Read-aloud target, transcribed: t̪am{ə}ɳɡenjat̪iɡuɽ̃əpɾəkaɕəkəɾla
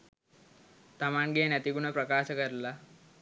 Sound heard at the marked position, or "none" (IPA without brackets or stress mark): a